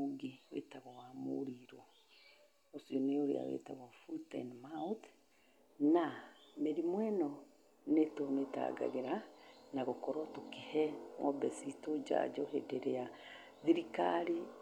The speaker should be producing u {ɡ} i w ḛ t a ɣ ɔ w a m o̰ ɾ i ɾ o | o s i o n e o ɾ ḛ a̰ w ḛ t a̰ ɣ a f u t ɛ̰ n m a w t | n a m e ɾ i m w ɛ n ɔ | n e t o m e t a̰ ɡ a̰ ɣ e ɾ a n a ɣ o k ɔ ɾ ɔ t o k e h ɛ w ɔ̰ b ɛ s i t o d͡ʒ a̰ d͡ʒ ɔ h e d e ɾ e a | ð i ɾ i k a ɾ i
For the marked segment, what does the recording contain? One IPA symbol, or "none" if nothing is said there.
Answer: ɡ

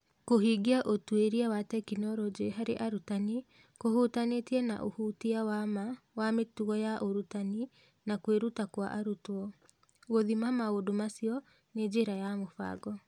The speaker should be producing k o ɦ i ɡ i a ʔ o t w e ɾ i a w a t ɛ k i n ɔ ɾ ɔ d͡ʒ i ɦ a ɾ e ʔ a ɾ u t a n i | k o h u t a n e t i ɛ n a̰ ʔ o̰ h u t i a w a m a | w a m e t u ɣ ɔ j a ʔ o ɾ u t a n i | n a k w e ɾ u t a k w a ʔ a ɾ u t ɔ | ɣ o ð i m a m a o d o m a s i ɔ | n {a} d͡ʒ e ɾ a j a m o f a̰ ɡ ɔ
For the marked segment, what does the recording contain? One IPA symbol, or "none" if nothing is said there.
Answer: e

